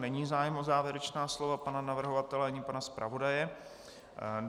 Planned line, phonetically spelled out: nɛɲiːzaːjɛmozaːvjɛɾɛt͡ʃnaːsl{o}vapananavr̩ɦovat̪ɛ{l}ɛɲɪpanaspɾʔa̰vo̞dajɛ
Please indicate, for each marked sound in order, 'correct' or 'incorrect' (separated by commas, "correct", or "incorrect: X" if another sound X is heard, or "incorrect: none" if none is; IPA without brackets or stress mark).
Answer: correct, correct